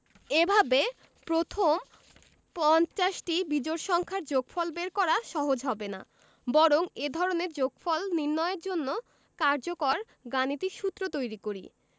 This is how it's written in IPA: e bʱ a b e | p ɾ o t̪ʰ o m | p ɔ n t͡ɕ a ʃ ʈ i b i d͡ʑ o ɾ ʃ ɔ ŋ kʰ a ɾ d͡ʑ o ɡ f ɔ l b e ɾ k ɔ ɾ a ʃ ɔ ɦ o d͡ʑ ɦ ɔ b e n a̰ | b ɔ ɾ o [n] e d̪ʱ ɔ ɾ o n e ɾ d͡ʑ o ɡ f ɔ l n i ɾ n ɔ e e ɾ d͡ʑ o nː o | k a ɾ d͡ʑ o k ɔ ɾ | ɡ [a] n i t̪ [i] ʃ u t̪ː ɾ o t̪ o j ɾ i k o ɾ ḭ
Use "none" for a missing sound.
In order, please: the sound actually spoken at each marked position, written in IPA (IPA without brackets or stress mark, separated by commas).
ŋ, a, i